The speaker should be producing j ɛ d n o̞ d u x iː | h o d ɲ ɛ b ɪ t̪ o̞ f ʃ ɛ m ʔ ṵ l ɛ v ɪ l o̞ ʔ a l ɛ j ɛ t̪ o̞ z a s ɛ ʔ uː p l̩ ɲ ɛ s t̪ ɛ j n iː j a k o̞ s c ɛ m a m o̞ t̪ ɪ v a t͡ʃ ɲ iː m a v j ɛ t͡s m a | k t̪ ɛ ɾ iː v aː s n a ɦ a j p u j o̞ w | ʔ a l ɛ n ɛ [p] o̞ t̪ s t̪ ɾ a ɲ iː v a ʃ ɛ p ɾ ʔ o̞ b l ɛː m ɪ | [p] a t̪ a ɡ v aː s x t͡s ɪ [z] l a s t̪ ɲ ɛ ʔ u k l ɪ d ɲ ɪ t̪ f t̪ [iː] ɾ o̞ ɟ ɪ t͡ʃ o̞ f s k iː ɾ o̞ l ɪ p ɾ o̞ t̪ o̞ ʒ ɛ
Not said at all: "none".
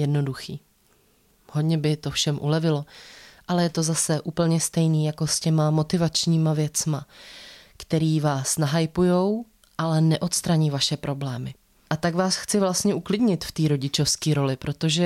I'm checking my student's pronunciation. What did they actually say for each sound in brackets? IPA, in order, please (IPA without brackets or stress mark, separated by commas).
ʔ, ʔ, v, iː